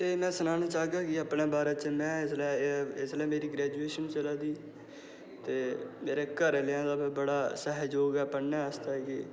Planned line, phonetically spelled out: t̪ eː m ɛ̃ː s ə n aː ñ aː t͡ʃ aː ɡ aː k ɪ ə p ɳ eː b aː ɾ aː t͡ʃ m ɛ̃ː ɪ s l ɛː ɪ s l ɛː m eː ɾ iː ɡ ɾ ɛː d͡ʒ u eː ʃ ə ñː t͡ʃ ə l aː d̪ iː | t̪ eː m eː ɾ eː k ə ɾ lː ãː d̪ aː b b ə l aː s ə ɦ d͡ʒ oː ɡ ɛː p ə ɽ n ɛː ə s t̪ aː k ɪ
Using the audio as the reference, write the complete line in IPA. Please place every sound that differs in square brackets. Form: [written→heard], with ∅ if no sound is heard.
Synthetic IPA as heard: t̪ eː m ɛ̃ː s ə n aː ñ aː t͡ʃ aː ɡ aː k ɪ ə p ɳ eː b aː ɾ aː t͡ʃ m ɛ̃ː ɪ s l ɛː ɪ s l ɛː m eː ɾ iː ɡ ɾ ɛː d͡ʒ u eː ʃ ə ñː t͡ʃ ə l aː d̪ iː | t̪ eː m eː ɾ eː k ə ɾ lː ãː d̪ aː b b ə [l→ɽ] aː s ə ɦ d͡ʒ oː ɡ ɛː p ə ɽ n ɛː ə s t̪ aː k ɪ

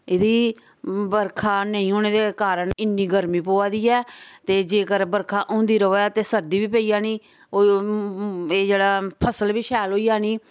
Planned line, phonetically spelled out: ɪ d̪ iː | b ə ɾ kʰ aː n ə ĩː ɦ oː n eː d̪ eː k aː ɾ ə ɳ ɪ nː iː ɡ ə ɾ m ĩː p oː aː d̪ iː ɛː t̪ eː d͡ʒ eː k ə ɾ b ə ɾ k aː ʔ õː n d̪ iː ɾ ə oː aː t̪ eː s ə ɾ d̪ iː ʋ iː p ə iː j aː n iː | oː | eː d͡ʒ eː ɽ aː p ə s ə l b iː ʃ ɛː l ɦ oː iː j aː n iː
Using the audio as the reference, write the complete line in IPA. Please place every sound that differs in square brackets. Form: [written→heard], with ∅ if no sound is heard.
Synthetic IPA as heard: ɪ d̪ iː | b ə ɾ kʰ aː n ə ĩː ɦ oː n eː d̪ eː k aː ɾ ə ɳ ɪ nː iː ɡ ə ɾ m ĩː p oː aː d̪ iː ɛː t̪ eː d͡ʒ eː k ə ɾ b ə ɾ [k→kʰ] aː ʔ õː n d̪ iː ɾ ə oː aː t̪ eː s ə ɾ d̪ iː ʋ iː p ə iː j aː n iː | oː | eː d͡ʒ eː ɽ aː [p→pʰ] ə s ə l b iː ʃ ɛː l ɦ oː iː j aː n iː

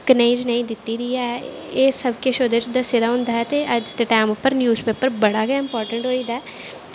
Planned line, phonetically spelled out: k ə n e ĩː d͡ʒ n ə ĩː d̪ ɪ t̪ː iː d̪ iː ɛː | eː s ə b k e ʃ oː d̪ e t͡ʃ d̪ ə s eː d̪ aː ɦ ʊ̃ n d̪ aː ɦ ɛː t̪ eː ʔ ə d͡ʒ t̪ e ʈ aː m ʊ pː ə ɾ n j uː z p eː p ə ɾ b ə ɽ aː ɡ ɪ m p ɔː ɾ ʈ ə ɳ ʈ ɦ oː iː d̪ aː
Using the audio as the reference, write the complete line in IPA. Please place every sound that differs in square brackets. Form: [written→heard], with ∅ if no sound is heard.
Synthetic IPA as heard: k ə n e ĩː d͡ʒ n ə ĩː d̪ ɪ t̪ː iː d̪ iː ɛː | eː s ə b k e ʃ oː d̪ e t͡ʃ d̪ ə s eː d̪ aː ɦ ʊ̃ n d̪ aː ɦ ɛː t̪ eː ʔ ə d͡ʒ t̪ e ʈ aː m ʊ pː ə ɾ n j uː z p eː p ə ɾ b ə ɽ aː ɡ ɪ m p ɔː ɾ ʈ ə ɳ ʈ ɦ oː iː d̪ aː

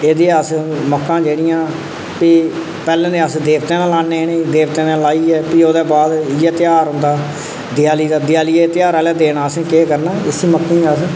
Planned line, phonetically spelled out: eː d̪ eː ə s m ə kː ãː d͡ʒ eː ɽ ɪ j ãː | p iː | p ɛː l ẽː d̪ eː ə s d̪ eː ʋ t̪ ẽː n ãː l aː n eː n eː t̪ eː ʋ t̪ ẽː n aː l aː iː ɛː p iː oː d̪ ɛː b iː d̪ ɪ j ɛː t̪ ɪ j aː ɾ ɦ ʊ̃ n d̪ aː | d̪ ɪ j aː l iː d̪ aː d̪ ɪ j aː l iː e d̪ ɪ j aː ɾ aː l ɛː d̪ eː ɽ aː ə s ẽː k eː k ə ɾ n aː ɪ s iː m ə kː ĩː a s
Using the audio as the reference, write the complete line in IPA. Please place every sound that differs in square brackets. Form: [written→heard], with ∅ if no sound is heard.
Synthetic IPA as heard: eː d̪ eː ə s m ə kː ãː d͡ʒ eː ɽ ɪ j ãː | p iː | p ɛː l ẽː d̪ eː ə s d̪ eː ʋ t̪ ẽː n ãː l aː n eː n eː [t̪→d̪] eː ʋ t̪ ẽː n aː l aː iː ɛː p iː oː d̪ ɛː b [iː→aː] d̪ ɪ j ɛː t̪ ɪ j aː ɾ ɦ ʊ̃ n d̪ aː | d̪ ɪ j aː l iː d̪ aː d̪ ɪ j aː l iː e [d̪→t̪] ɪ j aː ɾ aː l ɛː d̪ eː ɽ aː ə s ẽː k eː k ə ɾ n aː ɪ s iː m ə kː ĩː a s

